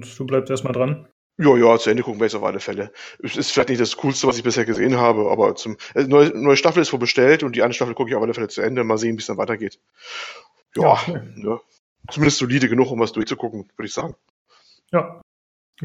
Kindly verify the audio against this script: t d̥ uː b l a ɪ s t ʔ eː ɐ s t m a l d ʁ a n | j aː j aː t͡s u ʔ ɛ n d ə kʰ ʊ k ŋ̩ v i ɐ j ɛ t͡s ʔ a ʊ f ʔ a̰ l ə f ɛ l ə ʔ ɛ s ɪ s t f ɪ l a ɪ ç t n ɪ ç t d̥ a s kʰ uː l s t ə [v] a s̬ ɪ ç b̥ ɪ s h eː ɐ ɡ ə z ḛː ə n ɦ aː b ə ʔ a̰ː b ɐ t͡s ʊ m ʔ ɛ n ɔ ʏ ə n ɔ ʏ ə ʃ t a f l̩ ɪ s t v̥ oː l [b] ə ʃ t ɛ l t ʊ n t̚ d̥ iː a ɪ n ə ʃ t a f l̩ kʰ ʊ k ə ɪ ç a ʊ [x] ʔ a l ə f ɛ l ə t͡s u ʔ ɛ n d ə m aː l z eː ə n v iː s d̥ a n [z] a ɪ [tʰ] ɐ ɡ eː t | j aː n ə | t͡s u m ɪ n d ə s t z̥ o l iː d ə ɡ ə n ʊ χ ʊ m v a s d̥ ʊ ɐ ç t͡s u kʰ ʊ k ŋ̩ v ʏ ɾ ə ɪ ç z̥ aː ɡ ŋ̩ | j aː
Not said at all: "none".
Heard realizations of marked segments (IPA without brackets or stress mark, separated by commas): v, b, f, v, t